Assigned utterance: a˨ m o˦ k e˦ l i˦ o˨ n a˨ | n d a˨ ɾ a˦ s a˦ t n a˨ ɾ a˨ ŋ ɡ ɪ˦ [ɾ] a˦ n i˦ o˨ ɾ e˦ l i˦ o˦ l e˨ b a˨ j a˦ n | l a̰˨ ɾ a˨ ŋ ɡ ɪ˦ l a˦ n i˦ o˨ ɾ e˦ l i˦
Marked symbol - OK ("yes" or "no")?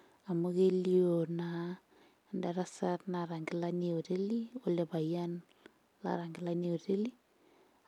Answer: no